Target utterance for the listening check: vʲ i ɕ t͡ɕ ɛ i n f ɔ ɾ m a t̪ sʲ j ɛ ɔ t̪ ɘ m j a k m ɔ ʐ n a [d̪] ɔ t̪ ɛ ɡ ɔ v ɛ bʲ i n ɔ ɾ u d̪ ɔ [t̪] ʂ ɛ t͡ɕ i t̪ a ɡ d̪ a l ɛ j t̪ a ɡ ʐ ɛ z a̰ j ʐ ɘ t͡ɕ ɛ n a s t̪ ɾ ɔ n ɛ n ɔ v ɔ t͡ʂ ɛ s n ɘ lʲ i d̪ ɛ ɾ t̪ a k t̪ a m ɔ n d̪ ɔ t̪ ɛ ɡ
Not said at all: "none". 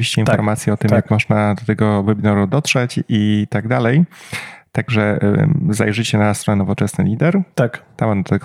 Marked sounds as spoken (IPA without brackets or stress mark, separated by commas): d̪, t̪